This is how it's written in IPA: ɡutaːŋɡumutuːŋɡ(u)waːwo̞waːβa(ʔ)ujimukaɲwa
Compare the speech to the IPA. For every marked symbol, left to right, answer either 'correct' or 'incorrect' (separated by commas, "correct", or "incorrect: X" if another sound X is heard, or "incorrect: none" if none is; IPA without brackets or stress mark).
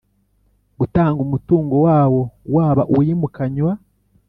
incorrect: o, correct